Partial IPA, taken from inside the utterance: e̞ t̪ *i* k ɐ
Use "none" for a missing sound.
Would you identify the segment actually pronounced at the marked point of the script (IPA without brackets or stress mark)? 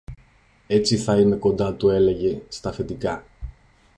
i